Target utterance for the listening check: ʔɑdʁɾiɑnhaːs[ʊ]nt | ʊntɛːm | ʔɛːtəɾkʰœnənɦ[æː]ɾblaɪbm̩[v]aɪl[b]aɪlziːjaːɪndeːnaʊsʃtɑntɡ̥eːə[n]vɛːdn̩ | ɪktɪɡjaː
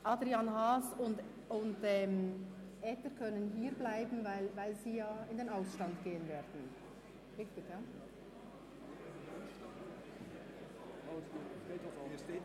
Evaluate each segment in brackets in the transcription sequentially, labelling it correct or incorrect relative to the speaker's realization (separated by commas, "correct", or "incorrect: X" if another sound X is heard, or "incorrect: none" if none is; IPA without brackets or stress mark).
correct, incorrect: iː, correct, incorrect: v, correct